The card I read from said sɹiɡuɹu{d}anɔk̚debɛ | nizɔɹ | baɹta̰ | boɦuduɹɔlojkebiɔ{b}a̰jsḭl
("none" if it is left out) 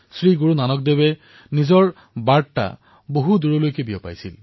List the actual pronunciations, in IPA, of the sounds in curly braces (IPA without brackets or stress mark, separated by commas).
n, p